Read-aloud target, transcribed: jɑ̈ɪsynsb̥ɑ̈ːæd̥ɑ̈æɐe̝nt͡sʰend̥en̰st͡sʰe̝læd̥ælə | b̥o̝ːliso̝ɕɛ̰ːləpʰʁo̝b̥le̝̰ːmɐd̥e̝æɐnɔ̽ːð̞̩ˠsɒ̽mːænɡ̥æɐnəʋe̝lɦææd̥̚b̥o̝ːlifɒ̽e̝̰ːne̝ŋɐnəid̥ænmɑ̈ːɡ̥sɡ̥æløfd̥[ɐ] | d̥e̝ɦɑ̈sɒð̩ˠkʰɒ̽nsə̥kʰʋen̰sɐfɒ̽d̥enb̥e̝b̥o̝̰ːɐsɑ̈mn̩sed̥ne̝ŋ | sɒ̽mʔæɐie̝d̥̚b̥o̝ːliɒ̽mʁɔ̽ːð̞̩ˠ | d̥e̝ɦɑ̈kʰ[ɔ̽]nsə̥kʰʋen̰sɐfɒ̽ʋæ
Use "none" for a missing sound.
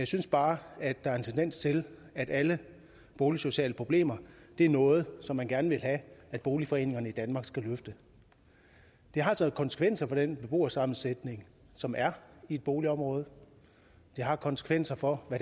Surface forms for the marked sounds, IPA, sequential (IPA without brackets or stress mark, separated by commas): ə, ɒ̽